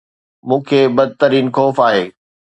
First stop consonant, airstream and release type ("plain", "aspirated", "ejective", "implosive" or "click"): aspirated